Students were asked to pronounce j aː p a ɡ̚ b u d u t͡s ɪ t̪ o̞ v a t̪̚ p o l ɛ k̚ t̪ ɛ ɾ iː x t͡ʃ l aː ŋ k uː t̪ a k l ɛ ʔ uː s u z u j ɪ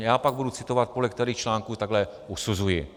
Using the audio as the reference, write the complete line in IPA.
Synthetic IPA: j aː p a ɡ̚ b u d u t͡s ɪ t̪ o̞ v a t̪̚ p o l ɛ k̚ t̪ ɛ ɾ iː x t͡ʃ l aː ŋ k uː t̪ a ɡ l ɛ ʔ u s u z u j ɪ